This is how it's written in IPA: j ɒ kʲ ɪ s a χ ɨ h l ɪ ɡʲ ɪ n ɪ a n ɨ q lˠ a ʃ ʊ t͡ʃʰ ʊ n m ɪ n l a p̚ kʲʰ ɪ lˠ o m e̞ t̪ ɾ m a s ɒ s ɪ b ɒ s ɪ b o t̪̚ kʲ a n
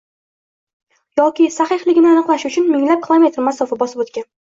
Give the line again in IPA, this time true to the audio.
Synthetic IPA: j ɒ kʲ ɪ s a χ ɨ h l ɪ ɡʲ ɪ n ɪ a n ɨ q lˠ a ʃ ʊ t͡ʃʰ ʊ n m ɪ ŋ l a p̚ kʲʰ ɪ lˠ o m e̞ t̪ ɾ m a s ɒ f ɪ b ɒ s ɪ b o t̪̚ kʲ a n